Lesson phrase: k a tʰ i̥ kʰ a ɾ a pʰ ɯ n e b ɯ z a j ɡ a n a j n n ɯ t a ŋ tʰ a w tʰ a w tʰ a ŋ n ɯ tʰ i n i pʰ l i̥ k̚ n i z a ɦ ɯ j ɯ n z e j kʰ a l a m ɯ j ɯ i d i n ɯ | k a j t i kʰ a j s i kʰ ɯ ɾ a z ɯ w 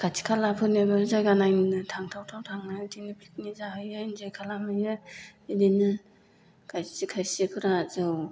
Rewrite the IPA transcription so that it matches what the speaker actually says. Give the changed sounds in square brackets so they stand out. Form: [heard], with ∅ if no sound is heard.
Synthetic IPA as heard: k a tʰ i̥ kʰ a [l] a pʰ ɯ n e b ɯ z a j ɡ a n a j n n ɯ [tʰ] a ŋ tʰ a w tʰ a w tʰ a ŋ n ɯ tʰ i n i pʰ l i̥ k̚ n i z a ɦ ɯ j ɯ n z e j kʰ a l a m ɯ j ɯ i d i n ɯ | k a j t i kʰ a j s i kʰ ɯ ɾ a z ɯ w